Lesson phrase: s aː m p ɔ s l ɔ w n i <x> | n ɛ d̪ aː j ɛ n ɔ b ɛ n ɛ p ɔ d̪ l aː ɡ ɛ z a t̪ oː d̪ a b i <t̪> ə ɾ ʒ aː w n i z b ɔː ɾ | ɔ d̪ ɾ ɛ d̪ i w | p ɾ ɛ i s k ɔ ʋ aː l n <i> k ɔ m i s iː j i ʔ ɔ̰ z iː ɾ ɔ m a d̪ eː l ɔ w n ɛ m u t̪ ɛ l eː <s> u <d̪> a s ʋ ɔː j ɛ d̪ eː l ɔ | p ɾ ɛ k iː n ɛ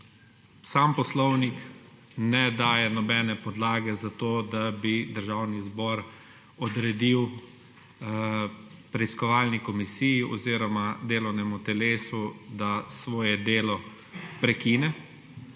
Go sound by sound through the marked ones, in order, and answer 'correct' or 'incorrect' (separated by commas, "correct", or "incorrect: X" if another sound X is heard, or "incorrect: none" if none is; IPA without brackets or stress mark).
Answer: incorrect: k, incorrect: d̪, correct, correct, correct